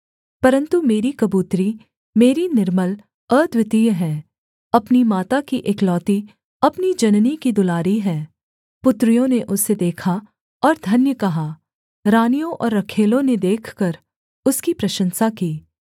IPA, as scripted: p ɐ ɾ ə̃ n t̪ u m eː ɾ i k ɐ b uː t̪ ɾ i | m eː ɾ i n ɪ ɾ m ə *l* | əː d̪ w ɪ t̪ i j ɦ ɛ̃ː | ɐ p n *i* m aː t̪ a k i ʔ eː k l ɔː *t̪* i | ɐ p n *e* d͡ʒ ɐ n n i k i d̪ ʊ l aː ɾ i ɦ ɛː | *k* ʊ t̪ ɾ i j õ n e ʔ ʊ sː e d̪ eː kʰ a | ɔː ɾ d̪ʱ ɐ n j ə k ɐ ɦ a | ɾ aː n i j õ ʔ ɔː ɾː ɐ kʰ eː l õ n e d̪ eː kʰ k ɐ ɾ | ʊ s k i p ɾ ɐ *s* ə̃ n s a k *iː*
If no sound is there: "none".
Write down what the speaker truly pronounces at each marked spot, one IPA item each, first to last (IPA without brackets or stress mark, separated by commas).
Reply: l, i, t̪, i, p, ʃ, iː